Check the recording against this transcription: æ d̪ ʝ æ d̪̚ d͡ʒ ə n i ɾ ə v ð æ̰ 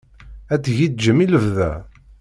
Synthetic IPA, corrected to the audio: æ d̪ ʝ i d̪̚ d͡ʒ ə m i l ə v ð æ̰